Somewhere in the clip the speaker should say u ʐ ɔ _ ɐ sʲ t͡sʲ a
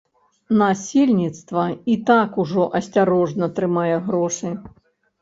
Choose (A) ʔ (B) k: A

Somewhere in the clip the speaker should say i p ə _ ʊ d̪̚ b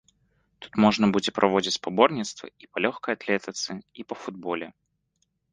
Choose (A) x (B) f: B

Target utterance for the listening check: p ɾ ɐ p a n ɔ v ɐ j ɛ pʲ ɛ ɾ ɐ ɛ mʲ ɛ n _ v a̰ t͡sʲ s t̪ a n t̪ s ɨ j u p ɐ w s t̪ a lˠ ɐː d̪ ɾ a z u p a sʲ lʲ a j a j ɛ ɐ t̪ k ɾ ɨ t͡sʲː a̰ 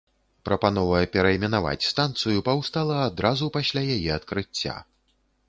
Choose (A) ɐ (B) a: B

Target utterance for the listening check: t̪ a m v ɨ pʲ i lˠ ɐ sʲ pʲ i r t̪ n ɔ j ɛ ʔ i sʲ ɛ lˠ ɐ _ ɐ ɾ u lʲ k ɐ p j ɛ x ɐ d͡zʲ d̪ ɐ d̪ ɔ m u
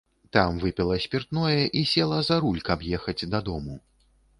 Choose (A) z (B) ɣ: A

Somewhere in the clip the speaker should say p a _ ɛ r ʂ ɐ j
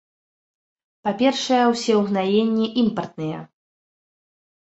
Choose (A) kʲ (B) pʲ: B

